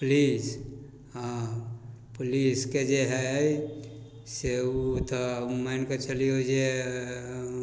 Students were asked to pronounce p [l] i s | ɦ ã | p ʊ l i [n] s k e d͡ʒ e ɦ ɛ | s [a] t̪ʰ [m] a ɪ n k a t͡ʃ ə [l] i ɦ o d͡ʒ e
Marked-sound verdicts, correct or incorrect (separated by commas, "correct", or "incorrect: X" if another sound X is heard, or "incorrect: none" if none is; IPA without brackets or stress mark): correct, incorrect: none, incorrect: e, correct, correct